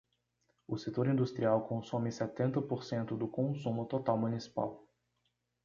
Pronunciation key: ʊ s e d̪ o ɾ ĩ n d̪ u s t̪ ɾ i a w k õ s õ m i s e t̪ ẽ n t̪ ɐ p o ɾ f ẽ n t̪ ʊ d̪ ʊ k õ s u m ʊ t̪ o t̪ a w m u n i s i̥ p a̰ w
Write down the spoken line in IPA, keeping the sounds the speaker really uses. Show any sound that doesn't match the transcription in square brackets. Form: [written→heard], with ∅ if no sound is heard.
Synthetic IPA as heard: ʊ s e [d̪→t̪] o ɾ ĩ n d̪ u s t̪ ɾ i a w k õ s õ m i s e t̪ ẽ n t̪ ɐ p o ɾ [f→s] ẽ n t̪ ʊ d̪ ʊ k õ s u m ʊ t̪ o t̪ a w m u n i s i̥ p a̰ w

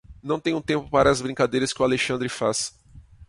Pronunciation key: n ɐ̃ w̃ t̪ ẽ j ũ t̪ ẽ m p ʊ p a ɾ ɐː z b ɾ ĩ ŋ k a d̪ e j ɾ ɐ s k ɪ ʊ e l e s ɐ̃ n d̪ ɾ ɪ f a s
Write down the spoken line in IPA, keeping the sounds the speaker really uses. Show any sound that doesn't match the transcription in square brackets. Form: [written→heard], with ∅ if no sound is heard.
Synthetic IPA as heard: n ɐ̃ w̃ t̪ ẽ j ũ t̪ ẽ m p ʊ p a ɾ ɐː z b ɾ ĩ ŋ k a d̪ e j ɾ ɐ s k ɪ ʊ [e→a] l e [s→ʃ] ɐ̃ n d̪ ɾ ɪ f a s

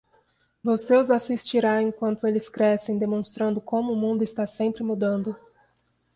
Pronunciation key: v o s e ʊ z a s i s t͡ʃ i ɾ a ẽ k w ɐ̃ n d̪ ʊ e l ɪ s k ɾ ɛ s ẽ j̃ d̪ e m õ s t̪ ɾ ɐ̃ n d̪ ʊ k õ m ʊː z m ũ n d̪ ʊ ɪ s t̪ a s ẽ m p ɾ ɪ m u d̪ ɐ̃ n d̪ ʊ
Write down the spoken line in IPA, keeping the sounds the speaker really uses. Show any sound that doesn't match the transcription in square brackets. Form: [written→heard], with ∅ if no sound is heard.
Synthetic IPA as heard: v o s e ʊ z a s i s t͡ʃ i ɾ a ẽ k w ɐ̃ n [d̪→t̪] ʊ e l ɪ s k ɾ ɛ s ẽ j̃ d̪ e m õ s t̪ ɾ ɐ̃ n d̪ ʊ k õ m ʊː [z→∅] m ũ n d̪ ʊ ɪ s t̪ a s ẽ m p ɾ ɪ m u d̪ ɐ̃ n d̪ ʊ

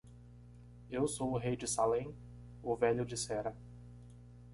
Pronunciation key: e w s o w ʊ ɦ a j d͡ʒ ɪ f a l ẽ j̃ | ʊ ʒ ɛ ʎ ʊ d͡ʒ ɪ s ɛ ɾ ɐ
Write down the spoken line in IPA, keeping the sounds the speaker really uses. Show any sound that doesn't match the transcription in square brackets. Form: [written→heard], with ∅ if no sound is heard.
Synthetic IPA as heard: e w s o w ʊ ɦ [a→e] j d͡ʒ ɪ [f→s] a l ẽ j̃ | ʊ [ʒ→v] ɛ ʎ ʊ d͡ʒ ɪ s ɛ ɾ ɐ

